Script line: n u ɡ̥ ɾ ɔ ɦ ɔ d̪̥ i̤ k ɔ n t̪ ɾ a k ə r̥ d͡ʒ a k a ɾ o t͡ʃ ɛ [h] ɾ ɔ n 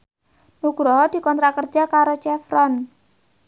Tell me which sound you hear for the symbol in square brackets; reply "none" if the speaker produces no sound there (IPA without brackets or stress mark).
f